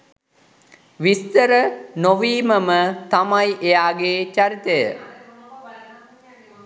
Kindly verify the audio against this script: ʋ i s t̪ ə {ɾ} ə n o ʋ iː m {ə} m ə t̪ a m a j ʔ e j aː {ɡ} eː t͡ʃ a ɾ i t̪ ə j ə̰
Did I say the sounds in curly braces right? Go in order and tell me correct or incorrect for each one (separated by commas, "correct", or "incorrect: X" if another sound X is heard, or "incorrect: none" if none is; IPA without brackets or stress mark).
correct, correct, correct